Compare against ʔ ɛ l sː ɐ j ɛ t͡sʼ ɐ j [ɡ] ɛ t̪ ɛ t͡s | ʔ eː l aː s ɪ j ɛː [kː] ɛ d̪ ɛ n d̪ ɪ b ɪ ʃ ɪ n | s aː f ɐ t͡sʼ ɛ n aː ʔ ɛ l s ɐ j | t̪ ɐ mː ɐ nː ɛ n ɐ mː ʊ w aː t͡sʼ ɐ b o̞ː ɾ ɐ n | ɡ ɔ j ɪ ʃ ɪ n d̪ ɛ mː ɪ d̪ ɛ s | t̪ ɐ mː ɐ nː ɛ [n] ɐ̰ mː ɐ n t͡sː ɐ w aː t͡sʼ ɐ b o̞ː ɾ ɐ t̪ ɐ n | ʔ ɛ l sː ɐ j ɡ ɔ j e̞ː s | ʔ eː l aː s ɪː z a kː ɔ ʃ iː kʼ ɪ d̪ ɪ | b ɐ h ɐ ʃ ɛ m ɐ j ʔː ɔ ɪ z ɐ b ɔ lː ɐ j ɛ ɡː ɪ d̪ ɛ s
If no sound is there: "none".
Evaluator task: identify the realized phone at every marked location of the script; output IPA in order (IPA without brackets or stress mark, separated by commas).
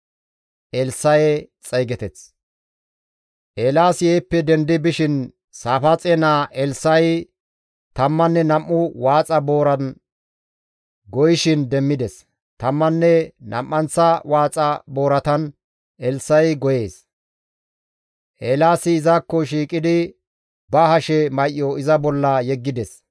ɡ, pː, n